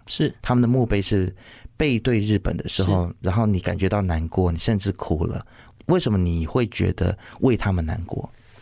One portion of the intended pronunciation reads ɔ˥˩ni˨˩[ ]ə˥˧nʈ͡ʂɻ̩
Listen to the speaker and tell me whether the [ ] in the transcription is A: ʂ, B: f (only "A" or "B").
A